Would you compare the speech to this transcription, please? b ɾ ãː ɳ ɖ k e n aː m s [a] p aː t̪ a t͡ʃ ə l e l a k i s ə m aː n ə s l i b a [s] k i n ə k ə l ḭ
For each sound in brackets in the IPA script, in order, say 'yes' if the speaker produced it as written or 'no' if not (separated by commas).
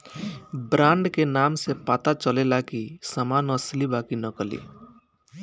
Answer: no, no